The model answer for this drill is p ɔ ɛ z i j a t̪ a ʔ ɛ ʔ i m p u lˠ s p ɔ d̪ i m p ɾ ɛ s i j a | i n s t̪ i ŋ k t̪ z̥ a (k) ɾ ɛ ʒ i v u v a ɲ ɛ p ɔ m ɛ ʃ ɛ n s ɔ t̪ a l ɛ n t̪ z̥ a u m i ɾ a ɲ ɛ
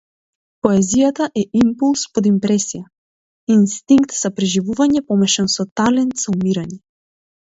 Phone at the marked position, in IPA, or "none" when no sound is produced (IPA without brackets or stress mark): p